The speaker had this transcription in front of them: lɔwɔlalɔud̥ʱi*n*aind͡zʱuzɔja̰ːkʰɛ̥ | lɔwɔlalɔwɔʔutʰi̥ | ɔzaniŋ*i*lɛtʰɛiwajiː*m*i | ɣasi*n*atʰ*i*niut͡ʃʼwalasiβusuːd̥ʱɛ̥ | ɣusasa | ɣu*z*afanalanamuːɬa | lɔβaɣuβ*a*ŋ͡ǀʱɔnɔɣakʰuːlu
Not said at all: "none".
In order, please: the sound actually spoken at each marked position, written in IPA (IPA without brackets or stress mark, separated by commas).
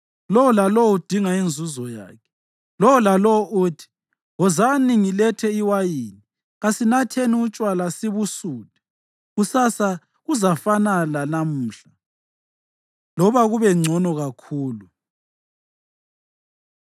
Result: ŋ, i, n, n, e, z, ɛ